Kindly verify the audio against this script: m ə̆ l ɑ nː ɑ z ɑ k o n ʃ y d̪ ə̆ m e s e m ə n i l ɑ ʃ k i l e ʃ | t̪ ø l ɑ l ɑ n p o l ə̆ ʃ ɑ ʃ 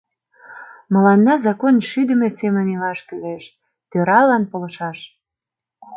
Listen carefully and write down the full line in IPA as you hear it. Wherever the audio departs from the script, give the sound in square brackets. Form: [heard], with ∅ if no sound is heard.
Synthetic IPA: m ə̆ l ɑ nː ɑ z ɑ k o n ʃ y d̪ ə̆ m e s e m ə n i l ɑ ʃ k [y] l e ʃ | t̪ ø [ɾ] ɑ l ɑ n p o l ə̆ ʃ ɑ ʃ